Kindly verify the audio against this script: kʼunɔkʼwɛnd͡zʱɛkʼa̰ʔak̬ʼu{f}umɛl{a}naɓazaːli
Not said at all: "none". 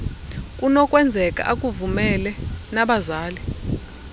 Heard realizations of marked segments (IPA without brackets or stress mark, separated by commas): v, ɛ